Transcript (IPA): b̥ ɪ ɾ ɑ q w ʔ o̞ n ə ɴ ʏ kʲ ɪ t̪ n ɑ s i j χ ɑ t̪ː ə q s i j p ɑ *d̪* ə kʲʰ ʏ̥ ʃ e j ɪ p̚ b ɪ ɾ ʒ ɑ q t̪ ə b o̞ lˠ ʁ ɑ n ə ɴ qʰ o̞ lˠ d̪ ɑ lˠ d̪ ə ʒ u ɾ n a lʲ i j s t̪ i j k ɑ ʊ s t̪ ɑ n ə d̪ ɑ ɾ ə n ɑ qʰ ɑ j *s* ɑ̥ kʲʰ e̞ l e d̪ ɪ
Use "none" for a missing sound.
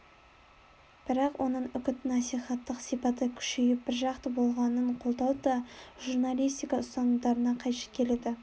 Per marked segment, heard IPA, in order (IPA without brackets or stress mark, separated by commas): t̪, ʃ